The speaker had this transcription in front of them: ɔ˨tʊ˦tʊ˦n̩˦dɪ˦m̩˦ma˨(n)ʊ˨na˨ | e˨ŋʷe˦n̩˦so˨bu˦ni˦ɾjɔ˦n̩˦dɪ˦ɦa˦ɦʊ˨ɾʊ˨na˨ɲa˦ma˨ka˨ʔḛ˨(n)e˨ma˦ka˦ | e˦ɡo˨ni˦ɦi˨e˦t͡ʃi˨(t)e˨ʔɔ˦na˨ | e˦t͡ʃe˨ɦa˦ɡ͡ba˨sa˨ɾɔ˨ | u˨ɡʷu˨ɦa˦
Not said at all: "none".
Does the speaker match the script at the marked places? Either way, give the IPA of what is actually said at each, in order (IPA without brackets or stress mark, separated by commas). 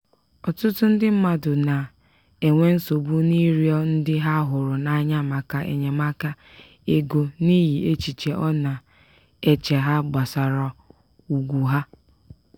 d, ɲ, t͡ʃ